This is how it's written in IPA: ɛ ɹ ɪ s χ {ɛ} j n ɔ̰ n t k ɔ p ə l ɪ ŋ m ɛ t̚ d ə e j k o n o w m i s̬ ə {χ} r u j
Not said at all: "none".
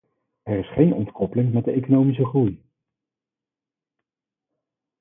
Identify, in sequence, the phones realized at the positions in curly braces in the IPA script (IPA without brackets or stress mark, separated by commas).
e, χ